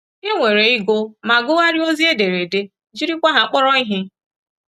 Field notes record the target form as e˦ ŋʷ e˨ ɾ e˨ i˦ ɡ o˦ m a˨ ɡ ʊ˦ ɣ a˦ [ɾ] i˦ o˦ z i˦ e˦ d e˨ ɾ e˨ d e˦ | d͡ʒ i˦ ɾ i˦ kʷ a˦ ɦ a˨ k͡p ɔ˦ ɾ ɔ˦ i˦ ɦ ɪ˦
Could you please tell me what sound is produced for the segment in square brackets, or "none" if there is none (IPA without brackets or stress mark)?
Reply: ɾ